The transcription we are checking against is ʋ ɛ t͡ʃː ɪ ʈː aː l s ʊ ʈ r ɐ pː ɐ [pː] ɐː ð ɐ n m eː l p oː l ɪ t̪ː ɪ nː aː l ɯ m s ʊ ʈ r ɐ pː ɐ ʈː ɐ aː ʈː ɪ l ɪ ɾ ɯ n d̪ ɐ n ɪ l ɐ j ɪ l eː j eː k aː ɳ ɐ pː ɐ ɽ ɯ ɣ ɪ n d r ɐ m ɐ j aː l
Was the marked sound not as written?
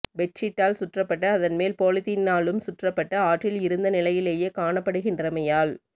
yes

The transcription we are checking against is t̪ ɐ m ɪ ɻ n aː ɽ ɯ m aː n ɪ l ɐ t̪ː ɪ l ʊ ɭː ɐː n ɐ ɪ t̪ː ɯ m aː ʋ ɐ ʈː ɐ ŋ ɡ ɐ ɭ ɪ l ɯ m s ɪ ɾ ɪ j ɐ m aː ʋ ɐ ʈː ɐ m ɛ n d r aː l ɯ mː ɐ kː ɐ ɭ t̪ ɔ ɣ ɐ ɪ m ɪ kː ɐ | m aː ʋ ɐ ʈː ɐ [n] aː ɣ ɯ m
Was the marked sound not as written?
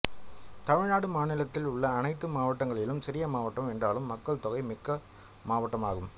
yes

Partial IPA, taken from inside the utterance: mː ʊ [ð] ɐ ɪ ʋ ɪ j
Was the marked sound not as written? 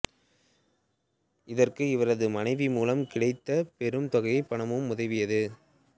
no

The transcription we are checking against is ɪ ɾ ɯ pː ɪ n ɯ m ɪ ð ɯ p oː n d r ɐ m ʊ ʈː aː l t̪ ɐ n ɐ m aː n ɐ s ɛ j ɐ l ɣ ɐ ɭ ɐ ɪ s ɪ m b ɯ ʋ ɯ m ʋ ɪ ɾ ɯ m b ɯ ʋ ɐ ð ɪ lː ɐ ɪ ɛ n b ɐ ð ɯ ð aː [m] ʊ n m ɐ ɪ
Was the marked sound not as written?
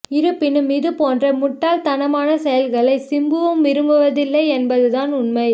yes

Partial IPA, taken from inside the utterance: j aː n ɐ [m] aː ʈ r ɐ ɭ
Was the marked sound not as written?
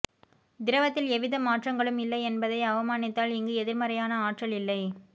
yes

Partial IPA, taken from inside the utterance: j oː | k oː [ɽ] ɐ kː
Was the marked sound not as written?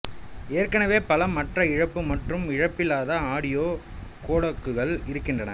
no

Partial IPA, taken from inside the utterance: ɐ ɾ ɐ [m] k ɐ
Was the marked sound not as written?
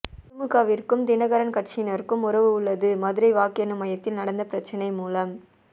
yes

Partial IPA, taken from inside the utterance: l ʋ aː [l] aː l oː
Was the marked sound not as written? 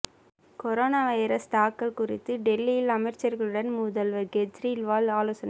no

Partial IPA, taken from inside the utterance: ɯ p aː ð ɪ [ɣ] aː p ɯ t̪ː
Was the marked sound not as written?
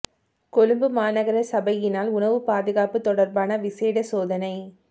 no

